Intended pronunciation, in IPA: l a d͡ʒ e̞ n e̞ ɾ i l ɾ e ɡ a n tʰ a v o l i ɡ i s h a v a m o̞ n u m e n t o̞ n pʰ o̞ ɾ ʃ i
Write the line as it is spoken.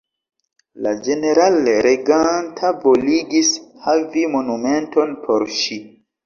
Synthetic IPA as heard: l a d͡ʒ e̞ n e̞ ɾ a l ɾ e ɡ a n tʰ a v o l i ɡ i s h a v i m o̞ n u m e n t o̞ n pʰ o̞ ɾ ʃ i